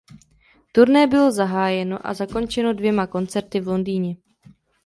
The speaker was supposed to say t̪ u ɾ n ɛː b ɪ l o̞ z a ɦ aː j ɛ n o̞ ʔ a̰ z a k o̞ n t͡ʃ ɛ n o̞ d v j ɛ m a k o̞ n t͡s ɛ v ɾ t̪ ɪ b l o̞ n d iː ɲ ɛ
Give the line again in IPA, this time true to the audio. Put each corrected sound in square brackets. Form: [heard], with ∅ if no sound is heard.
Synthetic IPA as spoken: t̪ u ɾ n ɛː b ɪ l o̞ z a ɦ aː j ɛ n o̞ ʔ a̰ z a k o̞ n t͡ʃ ɛ n o̞ d v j ɛ m a k o̞ n t͡s ɛ [∅] ɾ t̪ ɪ [v] l o̞ n d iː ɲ ɛ